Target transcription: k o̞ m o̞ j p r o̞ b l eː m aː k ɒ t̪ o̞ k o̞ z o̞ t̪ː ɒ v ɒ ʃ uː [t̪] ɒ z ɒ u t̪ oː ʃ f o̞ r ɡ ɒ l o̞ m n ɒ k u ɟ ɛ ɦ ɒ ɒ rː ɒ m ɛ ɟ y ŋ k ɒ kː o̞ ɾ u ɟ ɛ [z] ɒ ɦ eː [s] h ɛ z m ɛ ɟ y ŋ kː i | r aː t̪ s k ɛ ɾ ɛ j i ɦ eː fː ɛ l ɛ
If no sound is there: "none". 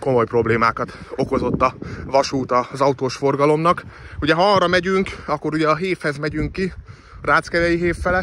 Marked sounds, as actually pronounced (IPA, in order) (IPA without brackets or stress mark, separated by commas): t̪, none, f